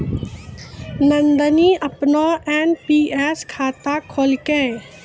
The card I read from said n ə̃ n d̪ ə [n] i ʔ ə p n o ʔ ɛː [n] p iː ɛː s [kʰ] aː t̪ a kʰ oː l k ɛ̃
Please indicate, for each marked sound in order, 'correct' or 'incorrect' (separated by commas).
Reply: correct, correct, correct